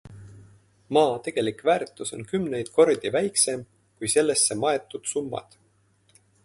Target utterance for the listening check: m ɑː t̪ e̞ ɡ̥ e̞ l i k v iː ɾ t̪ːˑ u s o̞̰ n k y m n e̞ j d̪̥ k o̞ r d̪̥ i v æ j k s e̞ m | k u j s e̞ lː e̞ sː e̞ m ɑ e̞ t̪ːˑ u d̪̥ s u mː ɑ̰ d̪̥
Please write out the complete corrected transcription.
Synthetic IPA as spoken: m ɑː t̪ e̞ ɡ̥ e̞ l i k v æː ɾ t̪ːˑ u s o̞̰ n k y m n e̞ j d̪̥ k o̞ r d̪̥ i v æ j k s e̞ m | k u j s e̞ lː e̞ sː e̞ m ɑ e̞ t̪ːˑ u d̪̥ s u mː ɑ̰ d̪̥

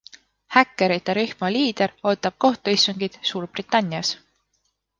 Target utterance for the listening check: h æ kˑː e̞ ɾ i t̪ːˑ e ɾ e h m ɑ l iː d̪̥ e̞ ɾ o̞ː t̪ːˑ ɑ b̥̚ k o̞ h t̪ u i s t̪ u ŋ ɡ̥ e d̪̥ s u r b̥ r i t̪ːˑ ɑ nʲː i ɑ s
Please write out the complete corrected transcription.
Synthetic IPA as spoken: h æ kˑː e̞ ɾ i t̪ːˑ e ɾ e h m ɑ l iː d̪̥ e̞ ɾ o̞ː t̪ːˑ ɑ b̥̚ k o̞ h t̪ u i s t̪ u ŋ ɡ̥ i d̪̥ s uː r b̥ r i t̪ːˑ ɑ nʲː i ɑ s

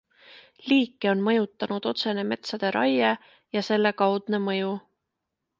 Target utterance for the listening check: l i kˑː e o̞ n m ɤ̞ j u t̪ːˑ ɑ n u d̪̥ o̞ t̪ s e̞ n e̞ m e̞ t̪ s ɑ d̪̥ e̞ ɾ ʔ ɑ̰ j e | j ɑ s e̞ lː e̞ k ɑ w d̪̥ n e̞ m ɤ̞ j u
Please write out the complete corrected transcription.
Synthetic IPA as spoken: l iː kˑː e o̞ n m ɤ̞ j u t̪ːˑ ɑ n u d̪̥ o̞ t̪ s e̞ n e̞ m e̞ t̪ s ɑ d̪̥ e̞ ɾ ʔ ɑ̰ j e | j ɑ s e̞ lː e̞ k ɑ w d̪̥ n e̞ m ɤ̞ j u

